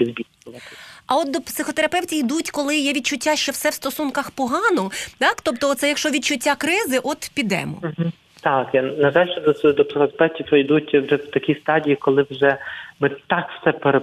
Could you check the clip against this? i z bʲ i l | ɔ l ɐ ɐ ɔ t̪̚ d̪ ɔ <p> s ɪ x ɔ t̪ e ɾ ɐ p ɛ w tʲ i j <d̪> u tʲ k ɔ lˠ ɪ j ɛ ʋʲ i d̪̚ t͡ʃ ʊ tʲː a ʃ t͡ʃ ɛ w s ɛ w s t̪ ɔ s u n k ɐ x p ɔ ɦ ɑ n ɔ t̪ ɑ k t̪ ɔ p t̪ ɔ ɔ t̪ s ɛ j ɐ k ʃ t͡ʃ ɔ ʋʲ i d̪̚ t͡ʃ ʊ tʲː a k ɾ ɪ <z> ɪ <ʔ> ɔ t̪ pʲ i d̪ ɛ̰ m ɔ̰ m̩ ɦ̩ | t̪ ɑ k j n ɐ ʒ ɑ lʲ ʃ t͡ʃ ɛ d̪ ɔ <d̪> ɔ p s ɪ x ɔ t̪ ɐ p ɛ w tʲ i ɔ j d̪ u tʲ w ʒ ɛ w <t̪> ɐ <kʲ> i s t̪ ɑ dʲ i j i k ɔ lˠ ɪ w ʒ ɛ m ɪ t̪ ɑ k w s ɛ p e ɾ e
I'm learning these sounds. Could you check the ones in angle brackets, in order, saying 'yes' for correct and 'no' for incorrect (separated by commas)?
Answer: yes, yes, yes, yes, yes, yes, yes